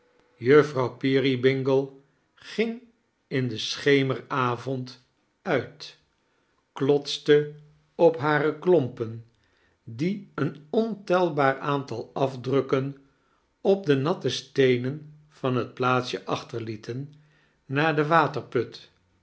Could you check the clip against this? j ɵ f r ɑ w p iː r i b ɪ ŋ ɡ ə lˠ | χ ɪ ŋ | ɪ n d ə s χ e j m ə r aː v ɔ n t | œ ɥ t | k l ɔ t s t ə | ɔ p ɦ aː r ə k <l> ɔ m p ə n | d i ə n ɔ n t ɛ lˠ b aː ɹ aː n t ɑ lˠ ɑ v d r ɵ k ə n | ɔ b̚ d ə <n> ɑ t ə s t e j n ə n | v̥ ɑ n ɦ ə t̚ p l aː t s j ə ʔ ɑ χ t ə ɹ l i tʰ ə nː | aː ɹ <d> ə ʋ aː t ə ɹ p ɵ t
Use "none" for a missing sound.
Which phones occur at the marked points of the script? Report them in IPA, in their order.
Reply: l, n, d

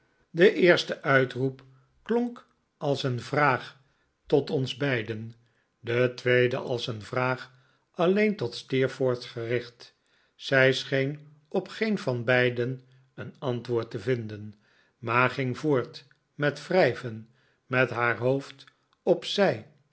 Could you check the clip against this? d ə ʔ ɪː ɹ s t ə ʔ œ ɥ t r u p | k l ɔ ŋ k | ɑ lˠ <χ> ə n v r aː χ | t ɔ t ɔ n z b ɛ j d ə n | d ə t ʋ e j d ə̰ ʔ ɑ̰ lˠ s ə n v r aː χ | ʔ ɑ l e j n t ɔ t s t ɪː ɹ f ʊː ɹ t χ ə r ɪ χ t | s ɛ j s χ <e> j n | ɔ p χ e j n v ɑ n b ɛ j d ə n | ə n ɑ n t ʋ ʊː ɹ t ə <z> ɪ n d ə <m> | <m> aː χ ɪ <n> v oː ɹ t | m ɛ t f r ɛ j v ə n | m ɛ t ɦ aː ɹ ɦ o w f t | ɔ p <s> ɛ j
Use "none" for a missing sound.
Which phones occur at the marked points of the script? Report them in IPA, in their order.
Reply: s, e, v, n, m, ŋ, s

